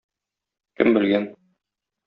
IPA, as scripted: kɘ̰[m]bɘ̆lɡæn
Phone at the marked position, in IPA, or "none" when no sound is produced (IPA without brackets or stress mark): m